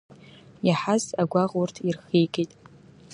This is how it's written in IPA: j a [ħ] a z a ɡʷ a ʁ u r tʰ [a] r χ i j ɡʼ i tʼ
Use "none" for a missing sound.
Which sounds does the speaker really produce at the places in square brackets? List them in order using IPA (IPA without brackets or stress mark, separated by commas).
ħ, i